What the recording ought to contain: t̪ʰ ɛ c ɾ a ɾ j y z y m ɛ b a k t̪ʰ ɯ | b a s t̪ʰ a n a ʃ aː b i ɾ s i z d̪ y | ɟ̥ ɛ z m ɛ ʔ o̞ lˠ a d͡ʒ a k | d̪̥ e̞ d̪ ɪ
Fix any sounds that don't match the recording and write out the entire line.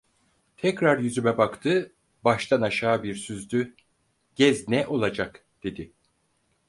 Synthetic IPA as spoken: t̪ʰ ɛ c ɾ a ɾ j y z y m ɛ b a k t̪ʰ ɯ | b a ʃ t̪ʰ a n a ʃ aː b i ɾ s y z d̪ y | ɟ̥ ɛ z n ɛ ʔ o̞ lˠ a d͡ʒ a k | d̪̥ e̞ d̪ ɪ